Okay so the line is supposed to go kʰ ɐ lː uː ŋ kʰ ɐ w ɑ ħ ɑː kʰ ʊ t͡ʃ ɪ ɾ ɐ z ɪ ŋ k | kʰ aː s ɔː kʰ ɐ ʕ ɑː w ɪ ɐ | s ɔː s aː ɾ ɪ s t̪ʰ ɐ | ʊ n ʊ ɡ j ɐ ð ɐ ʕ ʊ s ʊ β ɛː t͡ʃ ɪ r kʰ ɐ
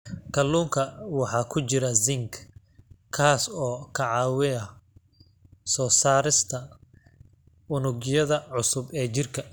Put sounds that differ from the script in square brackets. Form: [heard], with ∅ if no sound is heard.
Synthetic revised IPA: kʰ ɐ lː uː ŋ kʰ ɐ w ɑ ħ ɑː kʰ ʊ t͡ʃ ɪ ɾ ɐ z ɪ ŋ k | kʰ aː s ɔː kʰ ɐ ʕ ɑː w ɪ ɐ | s ɔː s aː ɾ ɪ s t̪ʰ ɐ | ʊ n ʊ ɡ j ɐ ð ɐ ʕ ʊ s ʊ [b] ɛː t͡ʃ ɪ r kʰ ɐ